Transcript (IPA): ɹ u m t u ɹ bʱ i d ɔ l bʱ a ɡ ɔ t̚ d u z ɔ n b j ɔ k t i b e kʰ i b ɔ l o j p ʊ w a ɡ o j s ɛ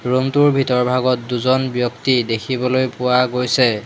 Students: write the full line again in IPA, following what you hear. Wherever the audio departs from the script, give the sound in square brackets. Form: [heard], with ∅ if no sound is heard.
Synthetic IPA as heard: ɹ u m t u ɹ bʱ i [t] ɔ [ɹ] bʱ a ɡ ɔ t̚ d u z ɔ n b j ɔ k t i [d] e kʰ i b ɔ l o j p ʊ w a ɡ o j s ɛ